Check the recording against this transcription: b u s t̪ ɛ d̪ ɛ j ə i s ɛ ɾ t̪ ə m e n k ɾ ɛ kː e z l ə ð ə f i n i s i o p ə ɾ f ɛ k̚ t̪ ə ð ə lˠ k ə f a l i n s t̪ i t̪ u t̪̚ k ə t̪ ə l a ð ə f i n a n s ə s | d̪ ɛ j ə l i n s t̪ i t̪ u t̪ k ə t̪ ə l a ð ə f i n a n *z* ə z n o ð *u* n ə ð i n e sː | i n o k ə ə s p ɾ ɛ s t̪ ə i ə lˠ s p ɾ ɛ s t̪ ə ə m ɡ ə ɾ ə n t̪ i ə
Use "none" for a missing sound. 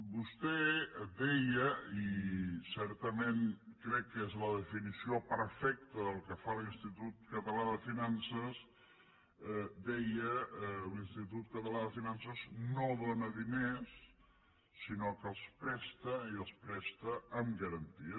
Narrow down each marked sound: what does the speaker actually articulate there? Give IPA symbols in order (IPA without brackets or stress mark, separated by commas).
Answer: s, o